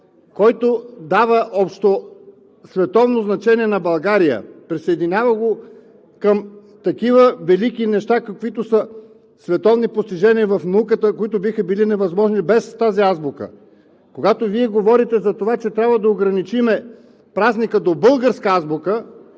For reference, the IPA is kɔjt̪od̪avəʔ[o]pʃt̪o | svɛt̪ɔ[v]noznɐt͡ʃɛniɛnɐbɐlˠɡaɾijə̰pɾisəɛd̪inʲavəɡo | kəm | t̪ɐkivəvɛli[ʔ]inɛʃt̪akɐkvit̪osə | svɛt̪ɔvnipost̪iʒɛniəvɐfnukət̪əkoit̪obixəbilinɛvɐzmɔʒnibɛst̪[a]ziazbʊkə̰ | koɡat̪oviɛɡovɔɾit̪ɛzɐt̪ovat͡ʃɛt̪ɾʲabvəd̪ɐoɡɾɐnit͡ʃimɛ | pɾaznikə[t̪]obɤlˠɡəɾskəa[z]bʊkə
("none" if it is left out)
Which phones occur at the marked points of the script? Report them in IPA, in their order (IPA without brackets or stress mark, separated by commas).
ɔ, v, k, a, d̪, z